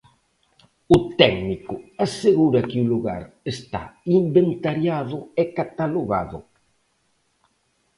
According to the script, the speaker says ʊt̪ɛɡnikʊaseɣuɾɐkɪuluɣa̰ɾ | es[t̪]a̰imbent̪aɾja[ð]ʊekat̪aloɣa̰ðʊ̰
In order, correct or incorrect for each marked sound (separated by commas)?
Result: correct, correct